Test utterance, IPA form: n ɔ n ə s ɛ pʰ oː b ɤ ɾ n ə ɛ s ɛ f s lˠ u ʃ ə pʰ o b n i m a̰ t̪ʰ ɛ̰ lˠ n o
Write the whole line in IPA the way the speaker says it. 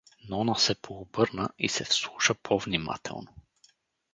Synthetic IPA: n ɔ n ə s ɛ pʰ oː b ɤ ɾ n ə i s ɛ f s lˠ u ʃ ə pʰ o v n i m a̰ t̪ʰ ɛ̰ lˠ n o